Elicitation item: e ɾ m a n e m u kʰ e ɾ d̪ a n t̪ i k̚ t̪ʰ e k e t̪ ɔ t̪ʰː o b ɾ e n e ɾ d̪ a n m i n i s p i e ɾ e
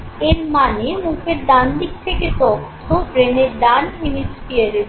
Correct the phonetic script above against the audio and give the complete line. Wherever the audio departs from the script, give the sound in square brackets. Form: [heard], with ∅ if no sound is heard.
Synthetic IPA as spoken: e ɾ m a n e m u kʰ e ɾ d̪ a n [d̪] i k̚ t̪ʰ e k e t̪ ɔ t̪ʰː o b ɾ e n e ɾ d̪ a n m i n i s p i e ɾ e